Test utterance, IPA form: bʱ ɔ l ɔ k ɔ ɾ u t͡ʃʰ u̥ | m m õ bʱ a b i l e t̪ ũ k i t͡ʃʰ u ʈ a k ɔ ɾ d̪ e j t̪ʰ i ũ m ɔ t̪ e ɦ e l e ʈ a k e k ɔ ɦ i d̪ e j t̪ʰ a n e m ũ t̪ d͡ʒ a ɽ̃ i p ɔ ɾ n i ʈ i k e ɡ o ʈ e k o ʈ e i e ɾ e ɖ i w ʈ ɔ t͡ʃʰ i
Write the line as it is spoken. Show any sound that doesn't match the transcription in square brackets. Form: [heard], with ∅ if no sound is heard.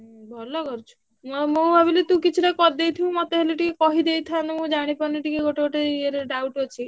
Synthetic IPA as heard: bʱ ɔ l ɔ k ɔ ɾ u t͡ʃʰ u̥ | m m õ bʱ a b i l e t̪ ũ k i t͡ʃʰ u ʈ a k ɔ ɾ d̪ e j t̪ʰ i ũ m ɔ t̪ e ɦ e l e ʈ [i] k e k ɔ ɦ i d̪ e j t̪ʰ a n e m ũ [∅] d͡ʒ a ɽ̃ i p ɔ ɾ n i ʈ i k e ɡ o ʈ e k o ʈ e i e ɾ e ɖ [a] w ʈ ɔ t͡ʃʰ i